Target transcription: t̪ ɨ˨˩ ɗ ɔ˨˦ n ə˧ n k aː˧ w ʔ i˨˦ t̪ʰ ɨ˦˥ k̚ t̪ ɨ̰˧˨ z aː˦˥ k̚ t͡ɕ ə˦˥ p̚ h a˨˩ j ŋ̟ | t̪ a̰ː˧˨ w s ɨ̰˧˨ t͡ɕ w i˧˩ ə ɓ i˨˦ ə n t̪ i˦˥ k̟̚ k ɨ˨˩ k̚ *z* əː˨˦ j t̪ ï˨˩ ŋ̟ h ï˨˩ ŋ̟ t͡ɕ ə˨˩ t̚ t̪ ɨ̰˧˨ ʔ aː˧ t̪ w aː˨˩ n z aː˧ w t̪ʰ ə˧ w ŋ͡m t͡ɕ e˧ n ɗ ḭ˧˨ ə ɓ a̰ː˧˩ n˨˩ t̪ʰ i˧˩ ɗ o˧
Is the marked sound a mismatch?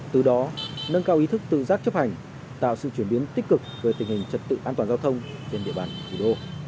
yes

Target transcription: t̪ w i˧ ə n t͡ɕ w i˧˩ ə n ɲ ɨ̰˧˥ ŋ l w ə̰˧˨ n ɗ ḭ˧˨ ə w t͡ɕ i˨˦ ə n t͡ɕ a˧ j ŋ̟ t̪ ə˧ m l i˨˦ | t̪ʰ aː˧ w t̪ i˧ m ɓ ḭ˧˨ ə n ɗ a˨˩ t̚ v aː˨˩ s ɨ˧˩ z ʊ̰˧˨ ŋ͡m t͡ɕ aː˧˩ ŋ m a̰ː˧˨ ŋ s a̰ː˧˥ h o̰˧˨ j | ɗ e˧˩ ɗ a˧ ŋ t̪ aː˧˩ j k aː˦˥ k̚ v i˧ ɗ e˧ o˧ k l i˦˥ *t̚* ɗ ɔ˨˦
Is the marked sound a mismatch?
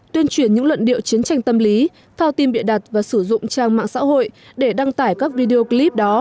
yes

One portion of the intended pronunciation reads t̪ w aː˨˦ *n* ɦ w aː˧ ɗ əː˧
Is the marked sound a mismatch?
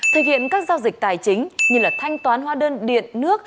no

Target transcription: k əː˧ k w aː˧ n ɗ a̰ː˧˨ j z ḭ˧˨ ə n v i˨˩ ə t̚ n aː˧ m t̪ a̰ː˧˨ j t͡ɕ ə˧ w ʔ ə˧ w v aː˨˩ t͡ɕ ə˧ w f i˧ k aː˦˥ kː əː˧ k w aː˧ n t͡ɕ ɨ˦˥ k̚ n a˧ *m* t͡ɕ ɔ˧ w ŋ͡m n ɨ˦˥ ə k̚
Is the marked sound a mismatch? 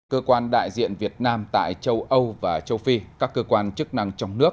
yes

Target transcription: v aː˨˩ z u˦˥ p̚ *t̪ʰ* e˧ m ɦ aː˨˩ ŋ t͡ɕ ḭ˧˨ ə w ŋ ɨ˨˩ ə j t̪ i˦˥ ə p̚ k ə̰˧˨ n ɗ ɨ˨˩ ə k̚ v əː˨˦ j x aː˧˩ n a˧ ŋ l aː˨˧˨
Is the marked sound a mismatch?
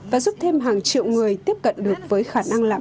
no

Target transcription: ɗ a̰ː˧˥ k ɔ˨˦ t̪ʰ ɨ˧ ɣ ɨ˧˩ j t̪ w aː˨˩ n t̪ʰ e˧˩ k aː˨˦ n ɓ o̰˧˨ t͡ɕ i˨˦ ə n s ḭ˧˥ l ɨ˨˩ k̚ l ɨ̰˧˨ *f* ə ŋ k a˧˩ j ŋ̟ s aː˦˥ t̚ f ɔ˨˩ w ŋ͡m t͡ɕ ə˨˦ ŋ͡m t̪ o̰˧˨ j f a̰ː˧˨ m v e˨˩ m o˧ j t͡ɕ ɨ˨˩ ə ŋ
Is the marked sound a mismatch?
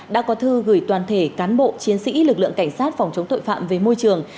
yes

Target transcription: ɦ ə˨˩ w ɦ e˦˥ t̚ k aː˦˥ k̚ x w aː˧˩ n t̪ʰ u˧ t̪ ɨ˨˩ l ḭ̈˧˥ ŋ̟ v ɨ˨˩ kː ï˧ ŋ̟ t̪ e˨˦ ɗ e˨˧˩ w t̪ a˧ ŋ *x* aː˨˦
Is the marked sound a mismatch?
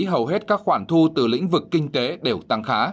no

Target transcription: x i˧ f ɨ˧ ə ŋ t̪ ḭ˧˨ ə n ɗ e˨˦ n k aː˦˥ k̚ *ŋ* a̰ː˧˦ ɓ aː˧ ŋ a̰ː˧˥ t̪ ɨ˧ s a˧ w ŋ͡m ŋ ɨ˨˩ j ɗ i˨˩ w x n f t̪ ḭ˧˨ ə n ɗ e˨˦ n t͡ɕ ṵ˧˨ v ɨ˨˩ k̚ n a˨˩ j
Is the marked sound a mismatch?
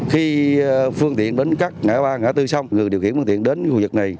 no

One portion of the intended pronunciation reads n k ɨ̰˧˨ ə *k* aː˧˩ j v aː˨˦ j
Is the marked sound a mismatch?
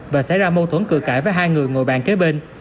no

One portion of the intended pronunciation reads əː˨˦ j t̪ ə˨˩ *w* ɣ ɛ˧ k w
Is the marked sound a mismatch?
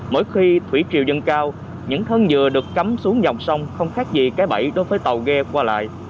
no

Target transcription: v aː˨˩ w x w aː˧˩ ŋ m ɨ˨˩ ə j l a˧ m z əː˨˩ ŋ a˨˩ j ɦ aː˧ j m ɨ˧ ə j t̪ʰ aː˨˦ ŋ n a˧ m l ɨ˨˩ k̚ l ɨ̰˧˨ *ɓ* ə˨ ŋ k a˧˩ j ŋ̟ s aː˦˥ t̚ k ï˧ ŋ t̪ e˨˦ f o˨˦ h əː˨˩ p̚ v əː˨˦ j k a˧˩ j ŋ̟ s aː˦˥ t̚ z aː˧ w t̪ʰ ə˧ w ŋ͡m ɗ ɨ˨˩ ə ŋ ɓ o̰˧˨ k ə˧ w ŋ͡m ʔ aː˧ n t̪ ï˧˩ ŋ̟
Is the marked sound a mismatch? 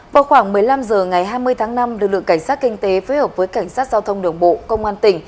yes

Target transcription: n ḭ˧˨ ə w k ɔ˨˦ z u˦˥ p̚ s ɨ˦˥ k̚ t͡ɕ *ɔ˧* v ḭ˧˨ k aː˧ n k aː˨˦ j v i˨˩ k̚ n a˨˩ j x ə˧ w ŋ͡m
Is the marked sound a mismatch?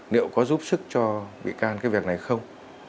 no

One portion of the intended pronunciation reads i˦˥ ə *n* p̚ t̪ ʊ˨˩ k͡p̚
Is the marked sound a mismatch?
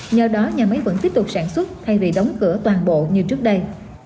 yes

